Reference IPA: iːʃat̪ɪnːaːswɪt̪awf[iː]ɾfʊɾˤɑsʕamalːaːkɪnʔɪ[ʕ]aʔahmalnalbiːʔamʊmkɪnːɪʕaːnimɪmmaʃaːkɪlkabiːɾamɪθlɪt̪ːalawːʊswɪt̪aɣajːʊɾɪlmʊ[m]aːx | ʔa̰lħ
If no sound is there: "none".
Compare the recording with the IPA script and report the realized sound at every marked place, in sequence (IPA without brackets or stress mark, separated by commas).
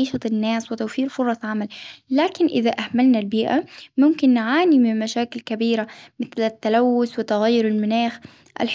iː, ð, n